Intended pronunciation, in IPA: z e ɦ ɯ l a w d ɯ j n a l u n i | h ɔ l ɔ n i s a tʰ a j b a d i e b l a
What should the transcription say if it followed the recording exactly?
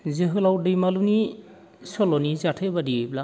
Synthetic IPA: z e ɦ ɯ l a w d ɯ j m a l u n i | s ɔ l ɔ n i z a tʰ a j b a d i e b l a